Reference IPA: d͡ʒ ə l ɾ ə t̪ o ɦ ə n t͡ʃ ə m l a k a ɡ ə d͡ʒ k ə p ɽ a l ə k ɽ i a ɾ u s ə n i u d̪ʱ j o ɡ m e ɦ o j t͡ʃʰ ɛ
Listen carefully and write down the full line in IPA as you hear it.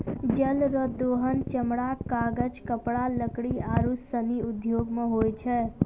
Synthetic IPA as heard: d͡ʒ ə l ɾ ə d̪ o ɦ ə n t͡ʃ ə m ɽ a k a ɡ ə d͡ʒ k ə p ɽ a l ə k ɽ i a ɾ u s ə n i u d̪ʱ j o ɡ m e ɦ o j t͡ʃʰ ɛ